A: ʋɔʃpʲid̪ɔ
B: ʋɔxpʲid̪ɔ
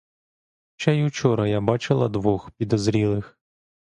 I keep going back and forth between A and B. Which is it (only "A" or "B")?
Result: B